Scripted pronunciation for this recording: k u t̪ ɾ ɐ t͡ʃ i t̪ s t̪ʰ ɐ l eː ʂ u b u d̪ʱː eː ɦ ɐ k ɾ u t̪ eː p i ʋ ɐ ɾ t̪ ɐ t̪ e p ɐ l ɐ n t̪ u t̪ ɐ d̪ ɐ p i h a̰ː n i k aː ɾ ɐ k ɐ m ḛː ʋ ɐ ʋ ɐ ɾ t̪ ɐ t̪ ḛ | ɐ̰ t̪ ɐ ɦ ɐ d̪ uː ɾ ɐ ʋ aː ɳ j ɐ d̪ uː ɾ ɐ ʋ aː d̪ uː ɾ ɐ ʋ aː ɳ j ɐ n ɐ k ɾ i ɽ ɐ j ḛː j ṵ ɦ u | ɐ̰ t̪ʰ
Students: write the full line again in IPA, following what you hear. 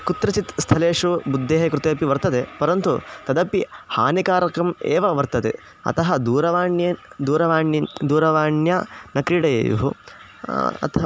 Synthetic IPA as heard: k u t̪ ɾ ɐ t͡ʃ i t̪ s t̪ʰ ɐ l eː ʂ u b u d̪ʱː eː ɦ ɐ k ɾ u t̪ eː p i ʋ ɐ ɾ t̪ ɐ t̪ e p ɐ ɾ ɐ n t̪ u t̪ ɐ d̪ ɐ p i h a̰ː n i k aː ɾ ɐ k ɐ m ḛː ʋ ɐ ʋ ɐ ɾ t̪ ɐ t̪ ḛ | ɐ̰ t̪ ɐ ɦ ɐ d̪ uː ɾ ɐ ʋ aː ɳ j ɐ d̪ uː ɾ ɐ ʋ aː d̪ uː ɾ ɐ ʋ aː ɳ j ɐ n ɐ k ɾ i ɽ ɐ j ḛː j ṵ ɦ u | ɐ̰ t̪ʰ